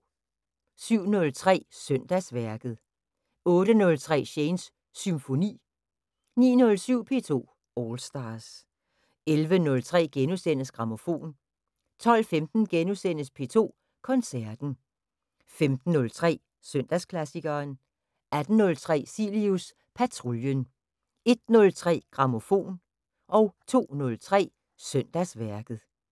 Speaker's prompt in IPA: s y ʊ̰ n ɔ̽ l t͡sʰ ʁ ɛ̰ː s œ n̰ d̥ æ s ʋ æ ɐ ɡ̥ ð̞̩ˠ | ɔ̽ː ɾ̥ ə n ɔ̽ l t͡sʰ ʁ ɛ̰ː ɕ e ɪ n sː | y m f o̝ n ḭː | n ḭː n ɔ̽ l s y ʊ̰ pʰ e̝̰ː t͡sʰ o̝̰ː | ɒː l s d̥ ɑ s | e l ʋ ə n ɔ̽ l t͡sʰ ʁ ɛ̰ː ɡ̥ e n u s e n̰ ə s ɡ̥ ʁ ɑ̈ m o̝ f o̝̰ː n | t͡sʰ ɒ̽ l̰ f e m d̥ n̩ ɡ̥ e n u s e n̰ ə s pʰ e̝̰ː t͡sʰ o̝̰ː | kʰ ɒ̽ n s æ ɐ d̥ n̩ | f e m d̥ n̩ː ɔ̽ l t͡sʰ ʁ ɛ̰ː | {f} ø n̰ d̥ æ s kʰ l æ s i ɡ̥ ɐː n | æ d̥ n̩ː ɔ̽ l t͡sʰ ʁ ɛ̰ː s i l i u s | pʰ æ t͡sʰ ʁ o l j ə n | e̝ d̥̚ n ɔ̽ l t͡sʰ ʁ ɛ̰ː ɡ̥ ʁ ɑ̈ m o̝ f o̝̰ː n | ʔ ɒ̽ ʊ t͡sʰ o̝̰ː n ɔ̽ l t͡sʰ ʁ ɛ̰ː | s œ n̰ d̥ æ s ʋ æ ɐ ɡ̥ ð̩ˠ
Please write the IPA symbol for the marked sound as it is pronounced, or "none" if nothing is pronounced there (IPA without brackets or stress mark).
s